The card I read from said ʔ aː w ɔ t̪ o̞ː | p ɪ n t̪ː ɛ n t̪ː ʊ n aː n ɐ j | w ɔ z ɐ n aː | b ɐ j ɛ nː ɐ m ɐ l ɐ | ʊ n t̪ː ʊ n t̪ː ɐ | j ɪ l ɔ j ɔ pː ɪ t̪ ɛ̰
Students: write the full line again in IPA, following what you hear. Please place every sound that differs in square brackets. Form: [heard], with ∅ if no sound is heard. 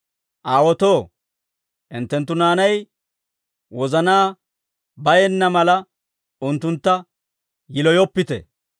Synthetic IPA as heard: ʔ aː w ɔ t̪ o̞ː | [ʔ] ɪ n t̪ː ɛ n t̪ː ʊ n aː n ɐ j | w ɔ z ɐ n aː | b ɐ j ɛ nː ɐ m ɐ l ɐ | ʊ n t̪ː ʊ n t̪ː ɐ | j ɪ l ɔ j ɔ pː ɪ t̪ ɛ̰

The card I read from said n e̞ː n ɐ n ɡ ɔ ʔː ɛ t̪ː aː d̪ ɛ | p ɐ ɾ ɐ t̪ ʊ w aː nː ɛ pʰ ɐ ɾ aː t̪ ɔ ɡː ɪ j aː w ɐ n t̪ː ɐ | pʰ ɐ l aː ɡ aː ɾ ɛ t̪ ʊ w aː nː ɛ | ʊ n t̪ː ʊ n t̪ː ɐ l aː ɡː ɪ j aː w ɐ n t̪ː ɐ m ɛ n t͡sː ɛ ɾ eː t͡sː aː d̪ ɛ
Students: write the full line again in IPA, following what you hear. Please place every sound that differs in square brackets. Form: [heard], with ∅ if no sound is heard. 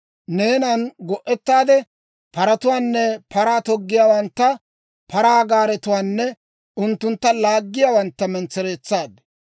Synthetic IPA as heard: n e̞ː n ɐ n ɡ ɔ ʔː ɛ t̪ː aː d̪ ɛ | p ɐ ɾ ɐ t̪ ʊ w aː nː ɛ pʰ ɐ ɾ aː t̪ ɔ ɡː ɪ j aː w ɐ n t̪ː ɐ | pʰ ɐ [ɾ] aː ɡ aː ɾ ɛ t̪ ʊ w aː nː ɛ | ʊ n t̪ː ʊ n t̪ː ɐ l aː ɡː ɪ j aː w ɐ n t̪ː ɐ m ɛ n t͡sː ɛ ɾ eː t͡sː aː d̪ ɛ

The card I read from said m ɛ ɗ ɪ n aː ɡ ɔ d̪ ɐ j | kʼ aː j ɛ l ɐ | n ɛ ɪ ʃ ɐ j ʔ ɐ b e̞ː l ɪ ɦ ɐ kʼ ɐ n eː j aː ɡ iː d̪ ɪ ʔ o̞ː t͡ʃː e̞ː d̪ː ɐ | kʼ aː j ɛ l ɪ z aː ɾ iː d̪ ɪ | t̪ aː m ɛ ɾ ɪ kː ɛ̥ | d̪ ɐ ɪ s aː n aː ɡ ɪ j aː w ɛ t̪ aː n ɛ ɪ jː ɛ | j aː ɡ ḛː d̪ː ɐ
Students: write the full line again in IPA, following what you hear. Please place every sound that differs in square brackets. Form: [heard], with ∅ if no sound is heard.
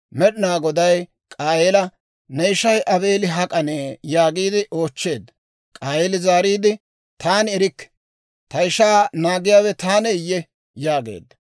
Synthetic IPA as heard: m ɛ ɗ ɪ n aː ɡ ɔ d̪ ɐ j | kʼ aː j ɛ l ɐ | n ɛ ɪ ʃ ɐ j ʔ ɐ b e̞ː l ɪ ɦ ɐ kʼ ɐ n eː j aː ɡ iː d̪ ɪ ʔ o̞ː t͡ʃː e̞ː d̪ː ɐ | kʼ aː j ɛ l ɪ z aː ɾ iː d̪ ɪ | t̪ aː [n] ɛ ɾ ɪ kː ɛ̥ | [t̪] ɐ ɪ [ʃ] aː n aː ɡ ɪ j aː w ɛ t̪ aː n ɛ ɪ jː ɛ | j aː ɡ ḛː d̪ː ɐ

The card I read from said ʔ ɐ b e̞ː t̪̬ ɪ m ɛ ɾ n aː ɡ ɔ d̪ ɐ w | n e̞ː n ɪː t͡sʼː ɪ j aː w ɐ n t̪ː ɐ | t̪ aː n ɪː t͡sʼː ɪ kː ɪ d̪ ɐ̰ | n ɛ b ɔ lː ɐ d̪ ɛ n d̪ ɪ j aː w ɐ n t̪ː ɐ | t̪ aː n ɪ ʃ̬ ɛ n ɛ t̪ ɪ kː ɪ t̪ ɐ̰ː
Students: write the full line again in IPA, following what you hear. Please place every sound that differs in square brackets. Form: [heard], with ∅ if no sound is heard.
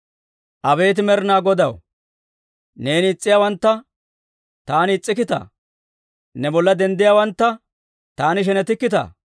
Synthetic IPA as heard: ʔ ɐ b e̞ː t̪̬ ɪ m ɛ ɾ n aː ɡ ɔ d̪ ɐ w | n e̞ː n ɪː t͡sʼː ɪ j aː w ɐ n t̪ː ɐ | t̪ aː n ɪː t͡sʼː ɪ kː ɪ [t̪] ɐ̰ | n ɛ b ɔ lː ɐ d̪ ɛ n d̪ ɪ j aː w ɐ n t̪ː ɐ | t̪ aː n ɪ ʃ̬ ɛ n ɛ t̪ ɪ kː ɪ t̪ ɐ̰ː

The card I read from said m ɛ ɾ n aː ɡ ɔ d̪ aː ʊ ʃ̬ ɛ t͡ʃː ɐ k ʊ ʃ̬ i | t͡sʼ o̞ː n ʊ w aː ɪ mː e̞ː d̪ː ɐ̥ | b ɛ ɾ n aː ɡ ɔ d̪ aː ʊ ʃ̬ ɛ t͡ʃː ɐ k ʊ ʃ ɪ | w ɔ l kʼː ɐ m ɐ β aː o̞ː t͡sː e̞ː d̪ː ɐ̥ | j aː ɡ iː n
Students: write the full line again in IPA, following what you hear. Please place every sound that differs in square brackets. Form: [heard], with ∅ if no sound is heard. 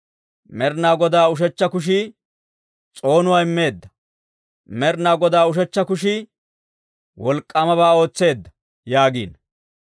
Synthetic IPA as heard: m ɛ ɾ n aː ɡ ɔ d̪ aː ʊ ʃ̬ ɛ t͡ʃː ɐ k ʊ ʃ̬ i | t͡sʼ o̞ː n ʊ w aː ɪ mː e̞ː d̪ː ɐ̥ | [m] ɛ ɾ n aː ɡ ɔ d̪ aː ʊ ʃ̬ ɛ t͡ʃː ɐ k ʊ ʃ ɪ | w ɔ l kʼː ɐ m ɐ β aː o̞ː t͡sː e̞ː d̪ː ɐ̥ | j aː ɡ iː n

